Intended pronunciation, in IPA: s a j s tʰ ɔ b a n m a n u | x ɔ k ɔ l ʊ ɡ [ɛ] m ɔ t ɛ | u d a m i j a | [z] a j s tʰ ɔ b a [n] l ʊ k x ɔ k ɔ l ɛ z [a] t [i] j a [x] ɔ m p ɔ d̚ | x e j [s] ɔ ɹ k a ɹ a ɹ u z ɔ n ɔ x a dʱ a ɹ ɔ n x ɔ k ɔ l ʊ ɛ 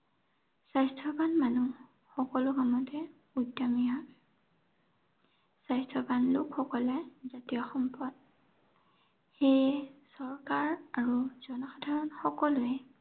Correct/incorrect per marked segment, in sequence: incorrect, incorrect, correct, correct, correct, correct, correct

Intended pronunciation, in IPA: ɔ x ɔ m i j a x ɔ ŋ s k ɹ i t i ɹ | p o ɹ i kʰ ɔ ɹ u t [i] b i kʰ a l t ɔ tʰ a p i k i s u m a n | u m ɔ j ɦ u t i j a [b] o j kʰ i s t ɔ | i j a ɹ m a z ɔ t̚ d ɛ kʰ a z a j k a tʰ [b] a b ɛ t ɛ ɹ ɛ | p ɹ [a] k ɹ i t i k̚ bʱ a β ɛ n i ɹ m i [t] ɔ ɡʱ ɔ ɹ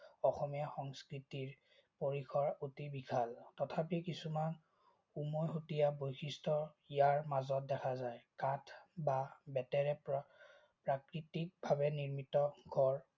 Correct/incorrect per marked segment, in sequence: correct, correct, correct, correct, correct

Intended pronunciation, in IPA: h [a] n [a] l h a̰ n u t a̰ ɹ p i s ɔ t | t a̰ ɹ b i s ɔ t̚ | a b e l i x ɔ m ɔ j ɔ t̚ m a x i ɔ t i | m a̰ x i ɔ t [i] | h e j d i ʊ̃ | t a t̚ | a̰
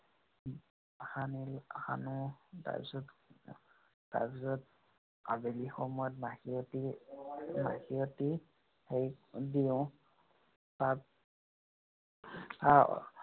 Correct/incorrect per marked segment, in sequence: correct, incorrect, correct

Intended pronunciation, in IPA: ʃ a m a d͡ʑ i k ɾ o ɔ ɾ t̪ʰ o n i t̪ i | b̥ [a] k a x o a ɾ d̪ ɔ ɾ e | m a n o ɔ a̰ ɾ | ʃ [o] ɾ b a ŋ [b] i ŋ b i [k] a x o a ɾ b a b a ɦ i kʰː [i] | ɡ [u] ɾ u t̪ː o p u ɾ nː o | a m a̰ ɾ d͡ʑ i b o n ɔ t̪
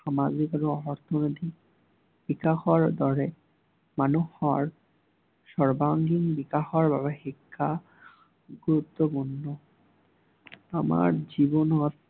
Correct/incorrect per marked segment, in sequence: incorrect, incorrect, incorrect, correct, incorrect, correct

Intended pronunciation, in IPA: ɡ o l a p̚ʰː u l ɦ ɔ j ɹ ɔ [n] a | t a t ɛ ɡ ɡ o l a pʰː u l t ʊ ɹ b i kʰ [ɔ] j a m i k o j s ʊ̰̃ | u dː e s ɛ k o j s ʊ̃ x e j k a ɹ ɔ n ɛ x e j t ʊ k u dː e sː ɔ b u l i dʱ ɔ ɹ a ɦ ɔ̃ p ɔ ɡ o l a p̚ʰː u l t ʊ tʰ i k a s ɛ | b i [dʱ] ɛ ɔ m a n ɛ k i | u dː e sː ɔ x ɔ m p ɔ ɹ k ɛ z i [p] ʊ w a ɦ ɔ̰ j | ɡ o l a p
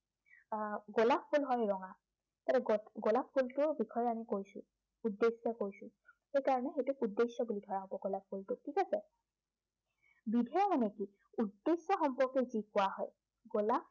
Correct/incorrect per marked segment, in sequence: incorrect, correct, correct, incorrect

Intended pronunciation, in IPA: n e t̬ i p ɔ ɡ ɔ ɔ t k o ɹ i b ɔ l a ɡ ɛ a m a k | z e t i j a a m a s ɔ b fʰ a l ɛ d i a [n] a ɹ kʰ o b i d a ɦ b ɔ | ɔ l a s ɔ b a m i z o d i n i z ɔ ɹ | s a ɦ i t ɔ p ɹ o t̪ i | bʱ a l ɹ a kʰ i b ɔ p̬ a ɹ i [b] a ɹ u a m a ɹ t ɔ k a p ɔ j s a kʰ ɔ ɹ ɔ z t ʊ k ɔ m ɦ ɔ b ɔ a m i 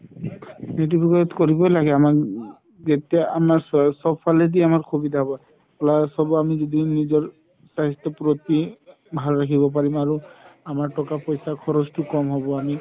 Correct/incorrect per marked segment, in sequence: incorrect, incorrect

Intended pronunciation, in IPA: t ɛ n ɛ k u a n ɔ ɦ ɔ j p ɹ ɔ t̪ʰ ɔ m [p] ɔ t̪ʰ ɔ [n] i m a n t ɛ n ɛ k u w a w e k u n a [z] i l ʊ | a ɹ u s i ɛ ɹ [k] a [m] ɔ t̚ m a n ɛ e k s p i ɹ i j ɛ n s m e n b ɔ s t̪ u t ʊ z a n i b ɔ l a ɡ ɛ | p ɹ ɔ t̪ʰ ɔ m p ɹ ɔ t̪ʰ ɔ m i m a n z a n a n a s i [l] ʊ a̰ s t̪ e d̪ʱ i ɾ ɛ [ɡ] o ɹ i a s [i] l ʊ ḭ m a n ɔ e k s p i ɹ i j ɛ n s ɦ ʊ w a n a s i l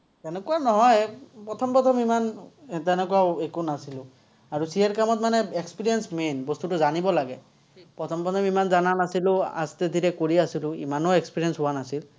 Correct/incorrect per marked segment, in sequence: correct, incorrect, incorrect, correct, correct, correct, incorrect, correct

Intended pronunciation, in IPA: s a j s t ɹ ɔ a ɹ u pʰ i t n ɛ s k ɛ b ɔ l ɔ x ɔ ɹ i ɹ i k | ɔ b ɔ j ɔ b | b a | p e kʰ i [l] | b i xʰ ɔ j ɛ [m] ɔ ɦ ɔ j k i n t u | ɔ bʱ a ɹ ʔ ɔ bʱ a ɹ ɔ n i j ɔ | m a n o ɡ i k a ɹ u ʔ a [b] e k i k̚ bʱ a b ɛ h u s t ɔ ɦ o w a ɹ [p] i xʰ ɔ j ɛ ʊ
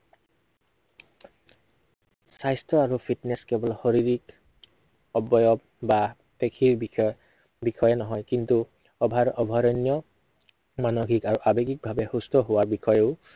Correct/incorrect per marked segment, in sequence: incorrect, incorrect, correct, incorrect

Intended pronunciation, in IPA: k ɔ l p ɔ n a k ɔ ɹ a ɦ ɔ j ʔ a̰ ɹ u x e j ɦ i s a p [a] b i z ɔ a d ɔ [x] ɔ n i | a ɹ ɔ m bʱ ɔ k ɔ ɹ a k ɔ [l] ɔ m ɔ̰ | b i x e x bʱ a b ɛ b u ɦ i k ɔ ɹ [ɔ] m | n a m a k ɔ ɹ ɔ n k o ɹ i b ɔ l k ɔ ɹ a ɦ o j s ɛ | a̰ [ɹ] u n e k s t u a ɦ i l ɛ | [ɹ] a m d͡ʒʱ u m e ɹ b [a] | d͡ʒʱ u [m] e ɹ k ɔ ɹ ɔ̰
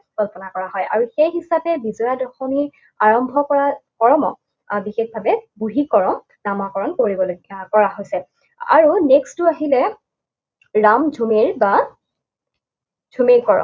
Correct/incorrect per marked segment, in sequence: incorrect, correct, incorrect, correct, correct, correct, correct, correct

